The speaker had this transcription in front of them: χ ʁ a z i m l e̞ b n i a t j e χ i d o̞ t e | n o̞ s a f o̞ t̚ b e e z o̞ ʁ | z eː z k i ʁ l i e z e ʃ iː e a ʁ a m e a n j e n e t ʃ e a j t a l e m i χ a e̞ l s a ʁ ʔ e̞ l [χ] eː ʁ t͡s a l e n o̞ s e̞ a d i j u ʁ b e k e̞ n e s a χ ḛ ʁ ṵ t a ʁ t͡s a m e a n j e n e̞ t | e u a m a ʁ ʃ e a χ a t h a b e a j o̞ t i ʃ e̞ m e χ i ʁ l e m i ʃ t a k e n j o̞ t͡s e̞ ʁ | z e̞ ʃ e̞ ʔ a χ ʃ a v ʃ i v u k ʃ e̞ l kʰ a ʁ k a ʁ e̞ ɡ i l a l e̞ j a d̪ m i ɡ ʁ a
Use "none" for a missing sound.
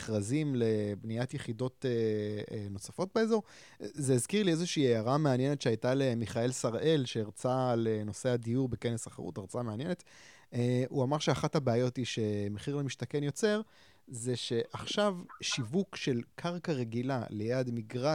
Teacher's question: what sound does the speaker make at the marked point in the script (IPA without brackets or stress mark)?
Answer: ʃ